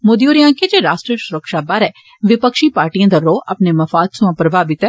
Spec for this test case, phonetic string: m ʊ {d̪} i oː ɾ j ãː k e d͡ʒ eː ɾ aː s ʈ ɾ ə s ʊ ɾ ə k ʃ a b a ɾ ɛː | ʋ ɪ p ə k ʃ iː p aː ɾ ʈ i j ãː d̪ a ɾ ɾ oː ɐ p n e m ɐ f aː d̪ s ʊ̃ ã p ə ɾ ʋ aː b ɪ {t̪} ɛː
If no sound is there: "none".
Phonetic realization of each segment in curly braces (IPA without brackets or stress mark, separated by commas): d̪, t̪